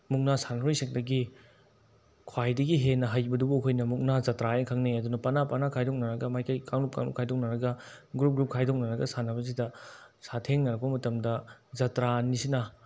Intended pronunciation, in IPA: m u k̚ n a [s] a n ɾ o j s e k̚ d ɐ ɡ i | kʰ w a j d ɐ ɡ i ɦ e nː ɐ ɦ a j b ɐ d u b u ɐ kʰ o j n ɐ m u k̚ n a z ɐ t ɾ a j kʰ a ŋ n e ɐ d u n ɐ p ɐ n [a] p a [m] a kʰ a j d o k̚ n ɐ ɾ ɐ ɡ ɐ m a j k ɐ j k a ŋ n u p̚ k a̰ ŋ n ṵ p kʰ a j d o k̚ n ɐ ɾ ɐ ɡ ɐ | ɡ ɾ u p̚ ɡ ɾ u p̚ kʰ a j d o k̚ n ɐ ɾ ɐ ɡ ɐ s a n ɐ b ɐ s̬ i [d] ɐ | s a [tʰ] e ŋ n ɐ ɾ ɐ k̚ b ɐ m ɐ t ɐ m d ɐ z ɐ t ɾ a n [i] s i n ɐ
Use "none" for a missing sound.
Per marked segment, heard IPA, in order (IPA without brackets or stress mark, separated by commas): s, a, n, d, tʰ, i